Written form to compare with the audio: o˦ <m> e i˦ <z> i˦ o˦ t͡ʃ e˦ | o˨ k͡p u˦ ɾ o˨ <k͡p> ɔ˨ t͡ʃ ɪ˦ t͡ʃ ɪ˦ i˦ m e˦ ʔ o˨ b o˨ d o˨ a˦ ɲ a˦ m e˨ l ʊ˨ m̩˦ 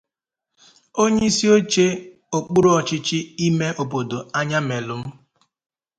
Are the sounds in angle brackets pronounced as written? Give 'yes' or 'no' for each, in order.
no, no, no

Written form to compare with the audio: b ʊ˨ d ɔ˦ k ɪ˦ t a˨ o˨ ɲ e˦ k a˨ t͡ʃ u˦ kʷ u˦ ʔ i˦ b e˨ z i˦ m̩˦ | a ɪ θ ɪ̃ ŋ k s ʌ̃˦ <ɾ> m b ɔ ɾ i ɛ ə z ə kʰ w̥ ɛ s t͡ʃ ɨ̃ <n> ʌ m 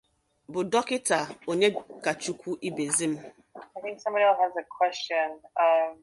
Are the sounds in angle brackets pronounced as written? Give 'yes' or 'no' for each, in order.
no, yes

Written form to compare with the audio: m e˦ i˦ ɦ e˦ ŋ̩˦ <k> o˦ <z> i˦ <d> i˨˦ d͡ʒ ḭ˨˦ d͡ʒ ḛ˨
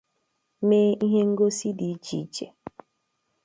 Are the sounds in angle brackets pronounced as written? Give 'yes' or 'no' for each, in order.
no, no, yes

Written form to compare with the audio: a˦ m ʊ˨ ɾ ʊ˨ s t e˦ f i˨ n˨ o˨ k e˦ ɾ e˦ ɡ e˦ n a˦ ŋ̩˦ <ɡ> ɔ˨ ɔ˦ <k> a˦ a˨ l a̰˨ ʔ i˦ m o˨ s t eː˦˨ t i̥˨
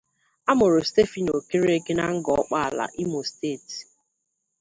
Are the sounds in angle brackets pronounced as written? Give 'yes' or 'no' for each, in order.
yes, no

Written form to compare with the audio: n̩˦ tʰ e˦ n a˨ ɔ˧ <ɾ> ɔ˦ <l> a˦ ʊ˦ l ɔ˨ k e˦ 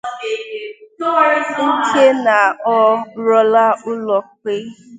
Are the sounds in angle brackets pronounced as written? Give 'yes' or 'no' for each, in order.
yes, yes

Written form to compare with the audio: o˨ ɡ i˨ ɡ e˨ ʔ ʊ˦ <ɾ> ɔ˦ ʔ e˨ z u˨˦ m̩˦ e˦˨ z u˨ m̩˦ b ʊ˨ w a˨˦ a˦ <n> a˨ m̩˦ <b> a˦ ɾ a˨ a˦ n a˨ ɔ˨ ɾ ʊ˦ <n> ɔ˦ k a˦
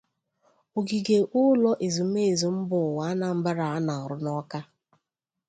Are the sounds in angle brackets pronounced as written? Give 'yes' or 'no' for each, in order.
no, yes, yes, yes

